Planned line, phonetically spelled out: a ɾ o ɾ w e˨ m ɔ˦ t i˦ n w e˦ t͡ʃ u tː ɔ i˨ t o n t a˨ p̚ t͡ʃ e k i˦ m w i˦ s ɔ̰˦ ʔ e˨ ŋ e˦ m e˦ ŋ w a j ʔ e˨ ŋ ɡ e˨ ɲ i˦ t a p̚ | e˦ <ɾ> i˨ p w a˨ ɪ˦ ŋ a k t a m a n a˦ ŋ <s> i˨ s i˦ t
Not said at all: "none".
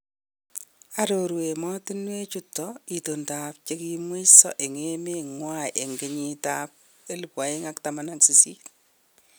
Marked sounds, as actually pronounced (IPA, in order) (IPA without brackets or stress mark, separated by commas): l, s